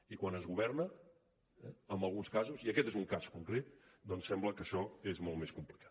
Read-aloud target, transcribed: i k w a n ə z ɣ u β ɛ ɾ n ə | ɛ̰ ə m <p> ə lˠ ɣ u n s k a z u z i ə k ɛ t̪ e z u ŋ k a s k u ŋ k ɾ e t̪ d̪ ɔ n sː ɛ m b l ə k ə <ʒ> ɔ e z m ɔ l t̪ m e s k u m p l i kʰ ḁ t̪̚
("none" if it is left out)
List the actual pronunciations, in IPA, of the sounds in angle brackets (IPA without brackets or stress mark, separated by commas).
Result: b, ʃ